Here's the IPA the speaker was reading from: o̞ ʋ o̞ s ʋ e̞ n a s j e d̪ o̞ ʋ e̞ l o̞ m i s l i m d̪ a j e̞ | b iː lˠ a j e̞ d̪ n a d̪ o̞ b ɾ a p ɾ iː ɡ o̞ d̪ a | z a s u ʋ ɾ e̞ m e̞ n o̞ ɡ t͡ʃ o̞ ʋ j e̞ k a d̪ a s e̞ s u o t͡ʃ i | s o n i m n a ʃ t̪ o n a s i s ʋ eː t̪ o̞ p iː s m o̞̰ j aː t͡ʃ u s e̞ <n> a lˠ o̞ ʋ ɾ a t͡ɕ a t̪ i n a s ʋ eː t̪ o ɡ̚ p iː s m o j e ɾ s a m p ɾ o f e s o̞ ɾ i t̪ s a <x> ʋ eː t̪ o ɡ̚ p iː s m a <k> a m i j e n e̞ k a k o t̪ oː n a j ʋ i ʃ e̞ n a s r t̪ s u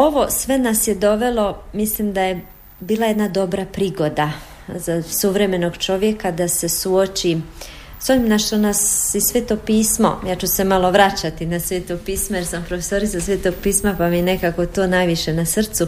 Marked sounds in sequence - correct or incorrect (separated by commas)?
incorrect, incorrect, incorrect